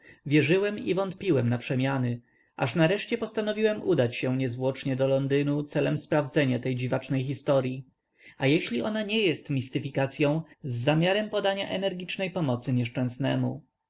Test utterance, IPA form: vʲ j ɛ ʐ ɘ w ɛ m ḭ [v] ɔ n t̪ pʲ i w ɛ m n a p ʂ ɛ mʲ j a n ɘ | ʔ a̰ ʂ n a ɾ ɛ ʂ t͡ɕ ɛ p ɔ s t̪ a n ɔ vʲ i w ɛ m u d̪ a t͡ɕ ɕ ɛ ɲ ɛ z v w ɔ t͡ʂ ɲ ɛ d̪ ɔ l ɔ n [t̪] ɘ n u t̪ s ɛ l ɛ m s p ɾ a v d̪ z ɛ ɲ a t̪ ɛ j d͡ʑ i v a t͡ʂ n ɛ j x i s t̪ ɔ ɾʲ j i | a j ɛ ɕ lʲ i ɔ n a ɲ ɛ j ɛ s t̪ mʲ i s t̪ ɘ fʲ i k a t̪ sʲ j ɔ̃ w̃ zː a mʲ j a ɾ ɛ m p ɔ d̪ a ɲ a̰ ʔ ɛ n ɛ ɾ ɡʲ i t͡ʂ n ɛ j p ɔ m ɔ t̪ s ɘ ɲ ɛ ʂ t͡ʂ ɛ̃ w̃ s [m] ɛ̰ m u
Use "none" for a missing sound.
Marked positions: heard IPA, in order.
v, d̪, n

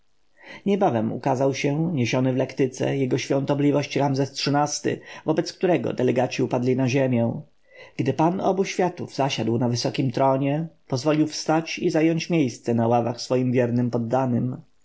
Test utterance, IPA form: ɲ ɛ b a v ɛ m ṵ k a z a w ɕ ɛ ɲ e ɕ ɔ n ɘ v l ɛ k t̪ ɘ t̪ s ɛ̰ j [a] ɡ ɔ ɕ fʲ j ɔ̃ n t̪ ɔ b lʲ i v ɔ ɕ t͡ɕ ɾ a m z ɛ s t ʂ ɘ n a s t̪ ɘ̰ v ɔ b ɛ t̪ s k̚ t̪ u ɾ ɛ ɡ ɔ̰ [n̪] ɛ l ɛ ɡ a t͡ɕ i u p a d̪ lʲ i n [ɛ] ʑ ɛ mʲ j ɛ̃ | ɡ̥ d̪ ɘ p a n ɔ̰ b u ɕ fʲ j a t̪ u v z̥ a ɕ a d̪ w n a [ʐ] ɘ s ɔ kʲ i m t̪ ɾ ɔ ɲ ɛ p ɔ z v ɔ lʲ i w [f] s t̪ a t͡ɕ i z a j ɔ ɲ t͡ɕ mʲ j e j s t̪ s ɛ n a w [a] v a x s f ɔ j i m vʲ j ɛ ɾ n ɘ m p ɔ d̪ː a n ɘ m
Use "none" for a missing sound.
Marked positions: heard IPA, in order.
ɛ, d̪, a, v, f, a

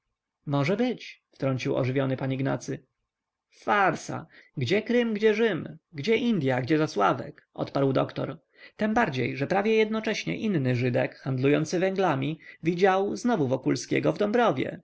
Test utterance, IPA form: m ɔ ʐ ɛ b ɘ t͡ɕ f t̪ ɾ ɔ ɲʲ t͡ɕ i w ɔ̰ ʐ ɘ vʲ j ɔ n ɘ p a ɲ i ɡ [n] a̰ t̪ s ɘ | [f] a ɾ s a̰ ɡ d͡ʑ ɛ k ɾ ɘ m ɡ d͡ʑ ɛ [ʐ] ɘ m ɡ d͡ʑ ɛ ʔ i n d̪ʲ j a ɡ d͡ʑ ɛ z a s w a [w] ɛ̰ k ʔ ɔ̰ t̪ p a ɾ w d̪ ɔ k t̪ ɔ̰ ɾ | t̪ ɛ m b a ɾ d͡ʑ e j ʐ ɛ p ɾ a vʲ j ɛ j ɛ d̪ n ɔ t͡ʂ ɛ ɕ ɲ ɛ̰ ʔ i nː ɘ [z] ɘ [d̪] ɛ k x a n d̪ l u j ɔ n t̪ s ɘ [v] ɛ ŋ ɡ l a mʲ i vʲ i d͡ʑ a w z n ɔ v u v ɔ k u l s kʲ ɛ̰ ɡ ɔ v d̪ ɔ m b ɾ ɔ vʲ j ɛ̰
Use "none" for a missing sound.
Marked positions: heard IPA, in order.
n, f, ʐ, v, ʐ, d̪, v

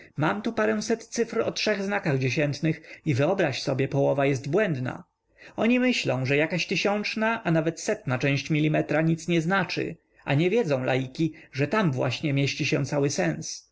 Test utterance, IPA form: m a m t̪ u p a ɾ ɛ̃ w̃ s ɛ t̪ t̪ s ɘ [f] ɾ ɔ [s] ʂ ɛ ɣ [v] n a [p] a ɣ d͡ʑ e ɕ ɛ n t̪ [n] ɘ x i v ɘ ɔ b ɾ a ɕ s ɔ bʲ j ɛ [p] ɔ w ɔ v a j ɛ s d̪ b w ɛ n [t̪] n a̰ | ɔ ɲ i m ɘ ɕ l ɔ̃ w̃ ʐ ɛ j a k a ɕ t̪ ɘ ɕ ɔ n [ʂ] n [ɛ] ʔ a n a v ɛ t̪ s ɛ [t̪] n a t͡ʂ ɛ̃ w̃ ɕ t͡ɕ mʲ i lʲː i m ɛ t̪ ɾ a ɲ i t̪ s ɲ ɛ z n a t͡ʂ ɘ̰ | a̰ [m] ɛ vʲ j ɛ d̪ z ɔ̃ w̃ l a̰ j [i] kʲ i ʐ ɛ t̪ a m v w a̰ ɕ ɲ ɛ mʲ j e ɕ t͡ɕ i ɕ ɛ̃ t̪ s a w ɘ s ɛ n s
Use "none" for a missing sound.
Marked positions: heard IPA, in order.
f, t, z, k, n, p, d̪, t͡ʂ, a, t̪, ɲ, i

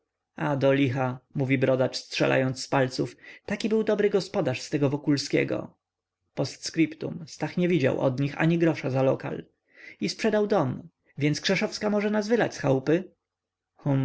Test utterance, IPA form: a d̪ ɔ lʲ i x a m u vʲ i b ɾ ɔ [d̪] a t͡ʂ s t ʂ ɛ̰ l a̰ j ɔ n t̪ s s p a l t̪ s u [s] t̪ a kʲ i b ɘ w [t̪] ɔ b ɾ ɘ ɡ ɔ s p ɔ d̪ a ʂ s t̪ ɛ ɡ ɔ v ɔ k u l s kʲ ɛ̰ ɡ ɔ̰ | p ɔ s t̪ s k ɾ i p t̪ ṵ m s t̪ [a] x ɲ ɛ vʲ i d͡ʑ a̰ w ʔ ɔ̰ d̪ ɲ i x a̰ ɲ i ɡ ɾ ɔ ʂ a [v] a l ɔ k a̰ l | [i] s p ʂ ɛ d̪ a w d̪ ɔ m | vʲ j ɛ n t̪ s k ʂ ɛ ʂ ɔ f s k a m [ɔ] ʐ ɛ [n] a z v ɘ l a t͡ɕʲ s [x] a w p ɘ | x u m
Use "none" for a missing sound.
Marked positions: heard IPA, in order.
d̪, f, d̪, a, z, i, ɔ, n, x

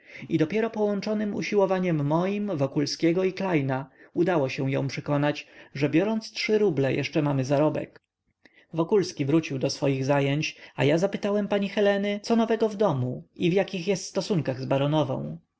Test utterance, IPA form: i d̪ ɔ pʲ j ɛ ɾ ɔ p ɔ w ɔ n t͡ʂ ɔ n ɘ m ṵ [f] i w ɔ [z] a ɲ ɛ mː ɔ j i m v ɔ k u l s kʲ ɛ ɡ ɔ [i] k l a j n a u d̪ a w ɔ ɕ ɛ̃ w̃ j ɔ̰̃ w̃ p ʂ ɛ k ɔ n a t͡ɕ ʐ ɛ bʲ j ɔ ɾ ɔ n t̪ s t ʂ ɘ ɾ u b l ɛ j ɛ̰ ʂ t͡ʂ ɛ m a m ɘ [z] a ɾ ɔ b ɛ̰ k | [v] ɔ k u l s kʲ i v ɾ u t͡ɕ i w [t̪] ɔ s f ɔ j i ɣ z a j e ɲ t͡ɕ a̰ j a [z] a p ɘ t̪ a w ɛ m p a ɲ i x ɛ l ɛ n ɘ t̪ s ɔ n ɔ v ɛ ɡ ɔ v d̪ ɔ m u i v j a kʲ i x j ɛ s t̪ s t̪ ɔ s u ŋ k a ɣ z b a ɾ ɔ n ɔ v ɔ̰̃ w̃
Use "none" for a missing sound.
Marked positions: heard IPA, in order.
ɕ, v, i, z, v, d̪, z

